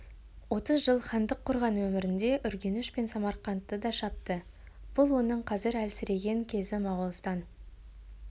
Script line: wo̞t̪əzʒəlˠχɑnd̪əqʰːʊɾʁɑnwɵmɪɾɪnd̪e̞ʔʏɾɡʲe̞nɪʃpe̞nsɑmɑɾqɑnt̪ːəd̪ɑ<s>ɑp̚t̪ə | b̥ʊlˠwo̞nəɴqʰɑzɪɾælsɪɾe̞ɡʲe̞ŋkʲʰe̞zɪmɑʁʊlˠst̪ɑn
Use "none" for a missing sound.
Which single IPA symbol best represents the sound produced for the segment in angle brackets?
ʃ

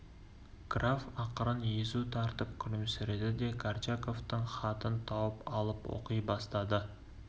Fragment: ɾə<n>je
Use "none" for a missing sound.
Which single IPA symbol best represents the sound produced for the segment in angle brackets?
n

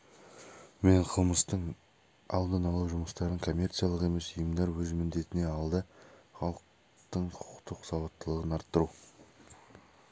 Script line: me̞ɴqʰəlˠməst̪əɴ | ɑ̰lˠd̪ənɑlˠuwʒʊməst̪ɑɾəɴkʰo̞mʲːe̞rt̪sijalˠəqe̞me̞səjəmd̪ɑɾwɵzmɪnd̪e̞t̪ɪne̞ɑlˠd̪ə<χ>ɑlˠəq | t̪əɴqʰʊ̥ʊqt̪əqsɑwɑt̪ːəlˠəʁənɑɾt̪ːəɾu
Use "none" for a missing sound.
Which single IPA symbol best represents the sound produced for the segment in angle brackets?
χ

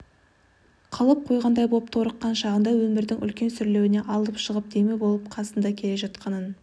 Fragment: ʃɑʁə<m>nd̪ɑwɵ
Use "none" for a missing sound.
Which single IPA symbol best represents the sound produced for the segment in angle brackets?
none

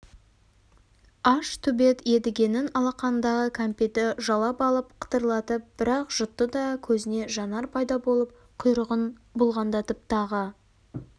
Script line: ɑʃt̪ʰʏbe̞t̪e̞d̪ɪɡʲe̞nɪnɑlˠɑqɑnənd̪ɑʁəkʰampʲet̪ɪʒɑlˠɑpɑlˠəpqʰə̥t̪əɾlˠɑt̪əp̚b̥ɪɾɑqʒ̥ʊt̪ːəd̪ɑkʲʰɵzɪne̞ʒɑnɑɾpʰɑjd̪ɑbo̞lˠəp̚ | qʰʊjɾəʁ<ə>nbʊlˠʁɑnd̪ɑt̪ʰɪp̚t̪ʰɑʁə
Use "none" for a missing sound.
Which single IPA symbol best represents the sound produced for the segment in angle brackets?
ə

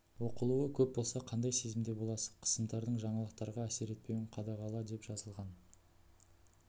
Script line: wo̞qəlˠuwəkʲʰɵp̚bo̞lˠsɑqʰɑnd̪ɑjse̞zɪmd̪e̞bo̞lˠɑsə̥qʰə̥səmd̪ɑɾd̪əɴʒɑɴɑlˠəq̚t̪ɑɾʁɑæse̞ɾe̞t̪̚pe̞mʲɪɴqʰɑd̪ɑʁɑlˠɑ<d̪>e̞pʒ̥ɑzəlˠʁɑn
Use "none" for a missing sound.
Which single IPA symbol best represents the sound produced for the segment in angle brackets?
d̪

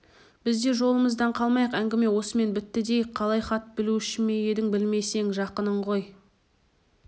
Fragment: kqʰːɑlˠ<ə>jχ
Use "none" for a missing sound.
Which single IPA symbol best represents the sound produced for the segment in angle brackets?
ɑ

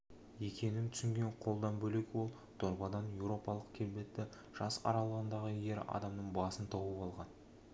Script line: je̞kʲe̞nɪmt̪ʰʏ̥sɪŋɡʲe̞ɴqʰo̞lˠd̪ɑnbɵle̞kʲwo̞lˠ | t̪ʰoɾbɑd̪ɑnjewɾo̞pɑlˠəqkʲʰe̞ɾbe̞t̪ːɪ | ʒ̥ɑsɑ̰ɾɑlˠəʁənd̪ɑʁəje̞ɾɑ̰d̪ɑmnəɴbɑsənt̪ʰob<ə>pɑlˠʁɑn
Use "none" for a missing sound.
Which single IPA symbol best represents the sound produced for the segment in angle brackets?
ə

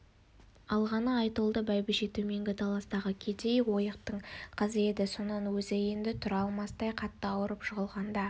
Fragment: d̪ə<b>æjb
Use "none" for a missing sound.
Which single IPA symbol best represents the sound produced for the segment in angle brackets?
b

